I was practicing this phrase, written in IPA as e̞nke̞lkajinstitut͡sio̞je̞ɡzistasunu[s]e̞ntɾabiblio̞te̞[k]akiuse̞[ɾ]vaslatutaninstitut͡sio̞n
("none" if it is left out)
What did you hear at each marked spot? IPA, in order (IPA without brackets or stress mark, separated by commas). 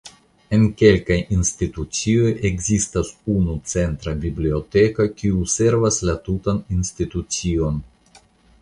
t͡s, k, ɾ